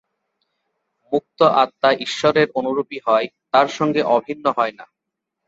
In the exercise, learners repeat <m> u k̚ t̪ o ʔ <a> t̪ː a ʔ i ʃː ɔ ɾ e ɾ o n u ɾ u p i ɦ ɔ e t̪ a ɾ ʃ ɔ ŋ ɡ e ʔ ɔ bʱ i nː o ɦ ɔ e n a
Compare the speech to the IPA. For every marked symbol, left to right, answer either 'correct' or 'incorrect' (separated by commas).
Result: correct, correct